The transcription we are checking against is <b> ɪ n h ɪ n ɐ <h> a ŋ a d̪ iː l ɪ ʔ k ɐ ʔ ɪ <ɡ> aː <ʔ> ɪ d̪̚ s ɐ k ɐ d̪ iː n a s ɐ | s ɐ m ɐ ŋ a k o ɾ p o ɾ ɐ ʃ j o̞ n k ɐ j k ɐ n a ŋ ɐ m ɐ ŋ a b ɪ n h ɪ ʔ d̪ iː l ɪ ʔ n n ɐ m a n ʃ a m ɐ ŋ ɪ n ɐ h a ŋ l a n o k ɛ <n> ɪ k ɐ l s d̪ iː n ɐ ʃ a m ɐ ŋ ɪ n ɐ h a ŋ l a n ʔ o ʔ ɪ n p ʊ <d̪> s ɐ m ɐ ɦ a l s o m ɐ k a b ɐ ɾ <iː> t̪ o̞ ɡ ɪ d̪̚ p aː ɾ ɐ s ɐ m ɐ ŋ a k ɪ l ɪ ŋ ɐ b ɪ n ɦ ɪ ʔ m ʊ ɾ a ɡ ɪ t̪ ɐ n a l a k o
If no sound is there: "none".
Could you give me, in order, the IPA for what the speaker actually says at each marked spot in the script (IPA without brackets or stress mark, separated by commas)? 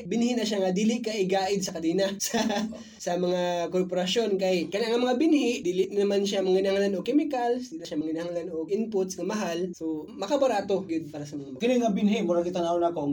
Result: b, ʃ, ɡ, ʔ, m, t̪, aː